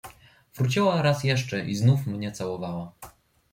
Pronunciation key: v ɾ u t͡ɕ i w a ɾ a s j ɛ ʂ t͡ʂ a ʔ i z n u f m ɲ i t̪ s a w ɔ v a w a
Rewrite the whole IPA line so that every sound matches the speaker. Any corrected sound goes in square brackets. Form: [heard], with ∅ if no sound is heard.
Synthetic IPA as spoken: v ɾ u t͡ɕ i w a ɾ a s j ɛ ʂ t͡ʂ [ɛ] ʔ i z n u f m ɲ [ɛ] t̪ s a w ɔ v a w a